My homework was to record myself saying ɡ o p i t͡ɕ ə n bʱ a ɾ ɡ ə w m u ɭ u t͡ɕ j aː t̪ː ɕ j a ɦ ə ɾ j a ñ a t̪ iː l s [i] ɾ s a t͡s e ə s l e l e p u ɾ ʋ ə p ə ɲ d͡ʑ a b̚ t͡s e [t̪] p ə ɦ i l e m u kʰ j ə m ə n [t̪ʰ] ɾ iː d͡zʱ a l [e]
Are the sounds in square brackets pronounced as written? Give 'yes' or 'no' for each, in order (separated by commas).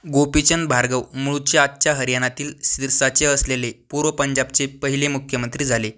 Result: yes, no, no, yes